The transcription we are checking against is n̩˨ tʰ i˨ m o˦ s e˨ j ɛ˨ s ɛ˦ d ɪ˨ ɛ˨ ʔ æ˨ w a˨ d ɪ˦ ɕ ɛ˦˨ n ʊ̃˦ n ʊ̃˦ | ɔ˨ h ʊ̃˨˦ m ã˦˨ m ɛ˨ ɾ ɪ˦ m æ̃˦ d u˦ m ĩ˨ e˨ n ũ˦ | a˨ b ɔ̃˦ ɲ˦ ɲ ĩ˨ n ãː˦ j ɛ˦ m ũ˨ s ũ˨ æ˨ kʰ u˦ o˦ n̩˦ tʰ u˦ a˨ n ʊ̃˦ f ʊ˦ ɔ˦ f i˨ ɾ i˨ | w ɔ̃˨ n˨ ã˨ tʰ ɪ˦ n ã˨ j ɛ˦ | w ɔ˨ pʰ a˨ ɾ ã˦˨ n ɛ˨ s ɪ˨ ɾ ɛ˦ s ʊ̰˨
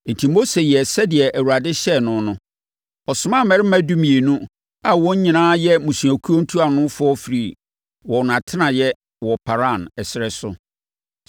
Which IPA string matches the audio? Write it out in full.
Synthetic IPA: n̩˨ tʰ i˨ m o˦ s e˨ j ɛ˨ s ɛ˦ d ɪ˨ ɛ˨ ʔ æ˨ w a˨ d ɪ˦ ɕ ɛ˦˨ n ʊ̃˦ n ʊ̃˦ | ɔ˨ s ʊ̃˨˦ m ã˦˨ m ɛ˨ ɾ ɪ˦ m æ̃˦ d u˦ m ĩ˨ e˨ n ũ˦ | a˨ w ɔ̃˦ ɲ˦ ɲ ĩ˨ n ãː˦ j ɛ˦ m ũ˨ s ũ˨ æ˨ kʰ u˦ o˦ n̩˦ tʰ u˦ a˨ n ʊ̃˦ f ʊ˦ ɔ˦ f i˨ ɾ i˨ | w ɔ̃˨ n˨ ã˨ tʰ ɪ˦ n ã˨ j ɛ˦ | w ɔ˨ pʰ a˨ ɾ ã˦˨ n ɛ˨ s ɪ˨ ɾ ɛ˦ s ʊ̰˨